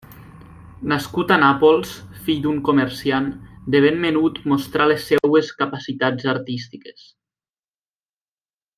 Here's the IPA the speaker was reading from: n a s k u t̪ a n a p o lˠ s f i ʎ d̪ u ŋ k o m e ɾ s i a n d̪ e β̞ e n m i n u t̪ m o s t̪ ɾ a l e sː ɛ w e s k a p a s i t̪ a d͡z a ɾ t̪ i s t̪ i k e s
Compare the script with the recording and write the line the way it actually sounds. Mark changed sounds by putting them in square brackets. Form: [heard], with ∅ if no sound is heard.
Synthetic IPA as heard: n a s k u t̪ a n a p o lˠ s f i ʎ d̪ u ŋ k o m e ɾ s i a n d̪ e β̞ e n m [e] n u t̪ m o s t̪ ɾ a l e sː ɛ w e s k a p a s i t̪ a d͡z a ɾ t̪ i s t̪ i k e s